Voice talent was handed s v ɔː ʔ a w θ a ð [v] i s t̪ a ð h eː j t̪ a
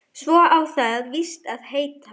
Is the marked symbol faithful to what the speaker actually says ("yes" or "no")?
yes